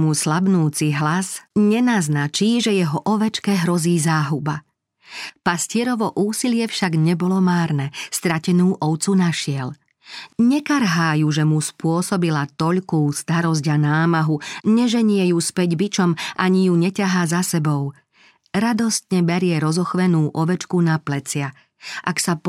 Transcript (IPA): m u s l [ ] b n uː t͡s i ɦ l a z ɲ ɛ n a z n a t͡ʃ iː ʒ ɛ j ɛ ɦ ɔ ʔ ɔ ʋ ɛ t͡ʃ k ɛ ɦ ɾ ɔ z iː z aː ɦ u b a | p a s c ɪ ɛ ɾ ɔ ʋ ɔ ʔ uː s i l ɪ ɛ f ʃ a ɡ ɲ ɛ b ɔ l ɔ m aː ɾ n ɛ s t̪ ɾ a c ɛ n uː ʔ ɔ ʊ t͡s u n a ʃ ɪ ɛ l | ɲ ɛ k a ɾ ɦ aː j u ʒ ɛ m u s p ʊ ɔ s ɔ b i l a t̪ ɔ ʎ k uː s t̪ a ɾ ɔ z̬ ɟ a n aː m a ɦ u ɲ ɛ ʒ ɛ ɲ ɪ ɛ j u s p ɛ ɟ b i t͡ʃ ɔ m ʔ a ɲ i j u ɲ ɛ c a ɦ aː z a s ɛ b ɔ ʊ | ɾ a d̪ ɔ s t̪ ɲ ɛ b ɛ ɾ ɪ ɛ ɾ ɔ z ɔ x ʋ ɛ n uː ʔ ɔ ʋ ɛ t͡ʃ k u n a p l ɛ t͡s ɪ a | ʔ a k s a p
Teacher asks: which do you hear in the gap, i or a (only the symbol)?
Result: a